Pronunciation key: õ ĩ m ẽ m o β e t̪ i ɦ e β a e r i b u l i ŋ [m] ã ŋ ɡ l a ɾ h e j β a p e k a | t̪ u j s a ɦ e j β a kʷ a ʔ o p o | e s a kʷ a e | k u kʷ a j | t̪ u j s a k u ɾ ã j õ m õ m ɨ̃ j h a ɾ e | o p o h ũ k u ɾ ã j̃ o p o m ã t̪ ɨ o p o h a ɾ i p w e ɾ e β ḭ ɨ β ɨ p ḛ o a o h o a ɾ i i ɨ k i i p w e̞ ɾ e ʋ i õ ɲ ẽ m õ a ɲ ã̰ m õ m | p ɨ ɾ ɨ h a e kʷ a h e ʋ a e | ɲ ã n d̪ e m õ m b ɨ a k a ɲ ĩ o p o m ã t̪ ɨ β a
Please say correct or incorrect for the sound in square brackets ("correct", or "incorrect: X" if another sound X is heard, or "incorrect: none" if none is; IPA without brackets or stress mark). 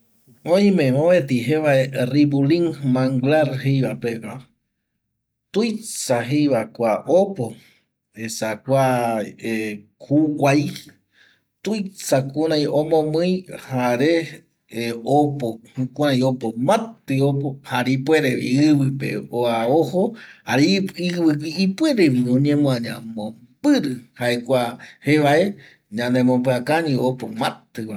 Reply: correct